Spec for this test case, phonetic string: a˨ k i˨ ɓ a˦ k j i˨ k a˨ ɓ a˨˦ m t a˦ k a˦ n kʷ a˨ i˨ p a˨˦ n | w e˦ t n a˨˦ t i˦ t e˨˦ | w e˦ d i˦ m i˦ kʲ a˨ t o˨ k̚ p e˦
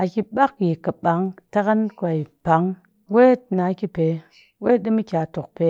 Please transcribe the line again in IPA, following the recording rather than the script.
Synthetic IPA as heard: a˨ k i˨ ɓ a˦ k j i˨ k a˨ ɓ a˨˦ ŋ t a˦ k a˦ n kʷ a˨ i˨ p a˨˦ ŋ | w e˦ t n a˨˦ k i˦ p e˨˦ | w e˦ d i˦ m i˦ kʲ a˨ t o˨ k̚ p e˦